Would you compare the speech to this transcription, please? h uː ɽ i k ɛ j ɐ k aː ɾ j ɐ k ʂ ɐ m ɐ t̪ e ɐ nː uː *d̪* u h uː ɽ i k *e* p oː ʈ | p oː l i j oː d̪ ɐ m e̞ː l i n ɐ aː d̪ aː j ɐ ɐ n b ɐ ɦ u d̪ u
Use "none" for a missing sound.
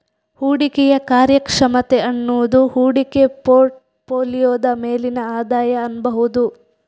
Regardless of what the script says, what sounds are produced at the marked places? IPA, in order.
d̪, e

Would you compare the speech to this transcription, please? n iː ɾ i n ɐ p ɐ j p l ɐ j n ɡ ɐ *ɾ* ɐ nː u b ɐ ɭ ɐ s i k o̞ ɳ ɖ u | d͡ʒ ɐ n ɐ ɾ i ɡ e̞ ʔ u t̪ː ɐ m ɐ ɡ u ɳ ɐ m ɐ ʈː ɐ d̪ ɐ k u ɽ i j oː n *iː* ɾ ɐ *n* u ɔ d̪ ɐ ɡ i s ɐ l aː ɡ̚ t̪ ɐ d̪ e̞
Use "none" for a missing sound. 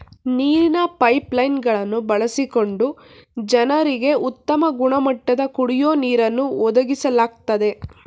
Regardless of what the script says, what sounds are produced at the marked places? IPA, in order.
ɭ, iː, nː

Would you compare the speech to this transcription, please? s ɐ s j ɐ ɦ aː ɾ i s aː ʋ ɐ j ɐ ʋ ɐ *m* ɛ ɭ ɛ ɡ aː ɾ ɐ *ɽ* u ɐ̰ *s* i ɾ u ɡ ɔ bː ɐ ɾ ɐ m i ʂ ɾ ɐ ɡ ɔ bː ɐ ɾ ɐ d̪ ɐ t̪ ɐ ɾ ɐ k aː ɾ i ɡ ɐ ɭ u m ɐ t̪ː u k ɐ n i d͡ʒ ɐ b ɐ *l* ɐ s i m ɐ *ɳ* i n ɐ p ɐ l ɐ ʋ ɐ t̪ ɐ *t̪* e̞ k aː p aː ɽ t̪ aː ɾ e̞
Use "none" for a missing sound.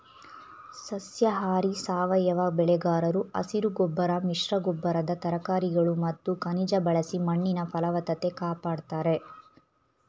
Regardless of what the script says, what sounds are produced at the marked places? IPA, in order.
b, ɾ, s, ɭ, ɳː, t̪

